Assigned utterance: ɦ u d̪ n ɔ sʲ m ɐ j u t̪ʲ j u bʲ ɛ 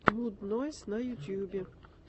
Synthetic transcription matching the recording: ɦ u d̪ n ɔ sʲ n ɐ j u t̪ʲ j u bʲ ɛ